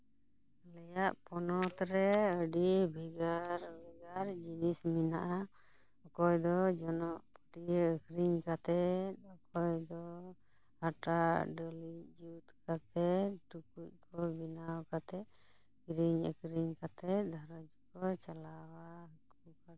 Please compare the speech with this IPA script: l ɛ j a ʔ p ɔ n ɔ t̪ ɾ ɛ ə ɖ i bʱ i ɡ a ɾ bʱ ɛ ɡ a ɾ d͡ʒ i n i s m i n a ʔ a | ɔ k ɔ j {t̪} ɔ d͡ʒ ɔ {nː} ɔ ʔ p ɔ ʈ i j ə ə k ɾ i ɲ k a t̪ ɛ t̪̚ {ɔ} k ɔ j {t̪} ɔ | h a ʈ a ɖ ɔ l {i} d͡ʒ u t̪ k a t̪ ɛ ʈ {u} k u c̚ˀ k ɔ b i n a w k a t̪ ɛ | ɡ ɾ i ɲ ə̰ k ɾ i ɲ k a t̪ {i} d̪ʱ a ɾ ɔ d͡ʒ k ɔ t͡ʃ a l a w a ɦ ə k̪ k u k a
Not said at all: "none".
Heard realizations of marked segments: d̪, n, ɔ, d̪, i, u, ɛ

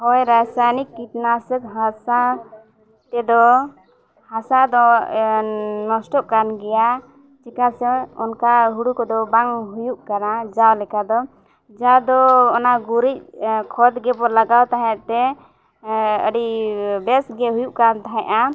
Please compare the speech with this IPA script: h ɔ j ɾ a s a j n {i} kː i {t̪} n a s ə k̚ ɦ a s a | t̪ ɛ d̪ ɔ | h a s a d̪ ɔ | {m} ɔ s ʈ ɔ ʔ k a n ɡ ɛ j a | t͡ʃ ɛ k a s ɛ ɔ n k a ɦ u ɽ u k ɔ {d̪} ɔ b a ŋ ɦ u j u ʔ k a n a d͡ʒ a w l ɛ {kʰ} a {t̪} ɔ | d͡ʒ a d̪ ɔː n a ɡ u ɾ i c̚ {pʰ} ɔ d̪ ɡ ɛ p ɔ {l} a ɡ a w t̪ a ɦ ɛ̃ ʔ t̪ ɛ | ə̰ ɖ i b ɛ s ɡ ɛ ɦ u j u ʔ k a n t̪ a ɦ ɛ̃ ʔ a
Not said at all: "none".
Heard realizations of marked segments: i, t̪, n, d̪, k, d̪, kʰ, l

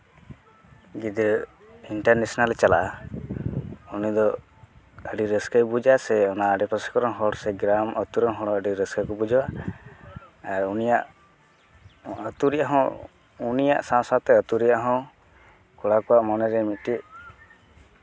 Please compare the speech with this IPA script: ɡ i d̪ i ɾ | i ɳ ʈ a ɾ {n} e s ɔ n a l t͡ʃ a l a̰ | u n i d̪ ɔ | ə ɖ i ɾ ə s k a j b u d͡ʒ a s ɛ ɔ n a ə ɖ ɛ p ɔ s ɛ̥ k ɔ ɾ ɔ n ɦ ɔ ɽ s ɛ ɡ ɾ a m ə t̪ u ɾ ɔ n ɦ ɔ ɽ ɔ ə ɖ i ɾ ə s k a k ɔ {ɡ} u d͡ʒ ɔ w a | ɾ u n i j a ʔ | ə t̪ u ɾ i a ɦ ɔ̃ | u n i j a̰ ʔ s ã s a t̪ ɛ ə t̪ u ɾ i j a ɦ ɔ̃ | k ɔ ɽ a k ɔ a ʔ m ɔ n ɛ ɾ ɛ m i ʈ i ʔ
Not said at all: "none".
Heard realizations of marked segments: n, b

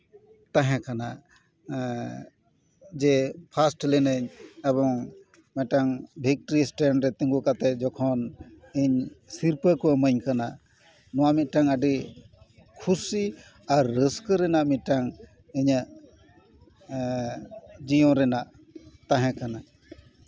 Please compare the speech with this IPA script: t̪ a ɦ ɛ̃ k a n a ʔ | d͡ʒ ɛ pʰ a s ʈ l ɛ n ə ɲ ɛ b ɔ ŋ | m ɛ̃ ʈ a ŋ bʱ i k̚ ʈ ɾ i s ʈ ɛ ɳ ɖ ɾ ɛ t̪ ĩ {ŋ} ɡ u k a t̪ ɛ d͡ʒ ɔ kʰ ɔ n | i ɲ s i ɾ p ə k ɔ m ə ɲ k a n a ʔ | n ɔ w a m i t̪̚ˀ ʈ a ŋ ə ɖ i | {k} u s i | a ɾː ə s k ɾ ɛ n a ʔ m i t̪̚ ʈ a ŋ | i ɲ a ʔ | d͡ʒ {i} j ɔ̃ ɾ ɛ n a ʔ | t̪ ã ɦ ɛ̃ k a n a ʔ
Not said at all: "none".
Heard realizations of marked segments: ŋ, kʰ, i

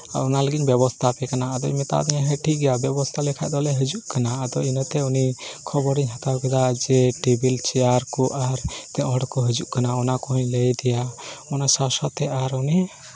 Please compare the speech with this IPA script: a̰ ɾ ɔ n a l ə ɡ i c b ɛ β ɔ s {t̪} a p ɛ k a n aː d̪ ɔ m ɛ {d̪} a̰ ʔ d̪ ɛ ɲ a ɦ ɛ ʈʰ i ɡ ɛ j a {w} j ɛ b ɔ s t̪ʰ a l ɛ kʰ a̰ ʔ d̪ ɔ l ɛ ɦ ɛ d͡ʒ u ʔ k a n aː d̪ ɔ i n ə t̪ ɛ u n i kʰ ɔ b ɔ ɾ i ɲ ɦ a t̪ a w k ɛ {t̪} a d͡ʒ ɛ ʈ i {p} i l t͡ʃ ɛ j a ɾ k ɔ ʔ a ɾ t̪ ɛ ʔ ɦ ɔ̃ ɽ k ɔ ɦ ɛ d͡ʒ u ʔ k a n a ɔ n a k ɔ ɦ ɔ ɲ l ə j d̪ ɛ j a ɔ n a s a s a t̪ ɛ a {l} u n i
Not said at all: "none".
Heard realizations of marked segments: t̪ʰ, t̪, b, d̪, b, ɾ

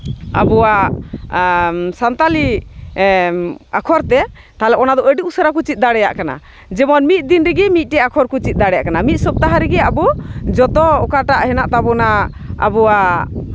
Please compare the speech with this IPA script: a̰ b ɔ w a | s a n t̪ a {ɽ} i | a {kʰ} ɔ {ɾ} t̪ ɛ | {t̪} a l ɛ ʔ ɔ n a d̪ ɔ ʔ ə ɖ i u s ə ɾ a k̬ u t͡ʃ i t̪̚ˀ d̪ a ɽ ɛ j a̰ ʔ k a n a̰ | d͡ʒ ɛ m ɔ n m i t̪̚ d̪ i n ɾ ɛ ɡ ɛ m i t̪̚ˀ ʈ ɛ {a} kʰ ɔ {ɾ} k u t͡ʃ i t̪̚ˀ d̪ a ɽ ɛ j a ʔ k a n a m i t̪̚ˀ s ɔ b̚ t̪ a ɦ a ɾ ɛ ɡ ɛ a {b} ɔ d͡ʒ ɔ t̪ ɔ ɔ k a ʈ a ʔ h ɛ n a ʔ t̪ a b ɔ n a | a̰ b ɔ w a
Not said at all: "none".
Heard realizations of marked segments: l, kʰ, ɾ, t̪, a, ɾ, b

